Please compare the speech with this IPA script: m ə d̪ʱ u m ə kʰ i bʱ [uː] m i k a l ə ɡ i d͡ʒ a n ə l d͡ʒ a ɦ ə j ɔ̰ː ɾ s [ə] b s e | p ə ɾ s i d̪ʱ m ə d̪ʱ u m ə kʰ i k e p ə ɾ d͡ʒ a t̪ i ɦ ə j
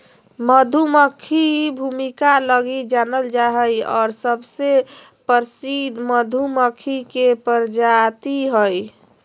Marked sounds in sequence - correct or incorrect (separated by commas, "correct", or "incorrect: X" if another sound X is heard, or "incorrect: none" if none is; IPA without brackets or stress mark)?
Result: incorrect: u, correct